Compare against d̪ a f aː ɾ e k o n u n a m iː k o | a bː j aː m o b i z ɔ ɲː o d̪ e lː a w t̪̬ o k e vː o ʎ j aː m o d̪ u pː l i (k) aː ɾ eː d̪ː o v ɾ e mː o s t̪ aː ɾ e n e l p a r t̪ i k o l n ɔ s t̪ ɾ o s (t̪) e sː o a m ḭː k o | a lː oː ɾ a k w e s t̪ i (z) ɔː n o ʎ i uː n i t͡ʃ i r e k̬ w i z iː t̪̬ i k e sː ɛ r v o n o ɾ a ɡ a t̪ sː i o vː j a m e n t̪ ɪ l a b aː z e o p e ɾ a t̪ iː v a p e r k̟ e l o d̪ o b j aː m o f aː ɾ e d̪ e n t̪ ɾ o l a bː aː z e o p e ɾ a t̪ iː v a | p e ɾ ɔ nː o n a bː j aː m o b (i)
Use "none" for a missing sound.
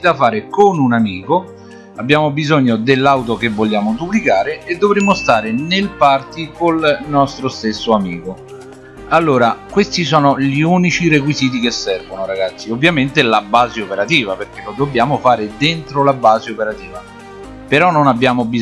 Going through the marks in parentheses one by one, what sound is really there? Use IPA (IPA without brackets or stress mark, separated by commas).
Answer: k, t̪, s, i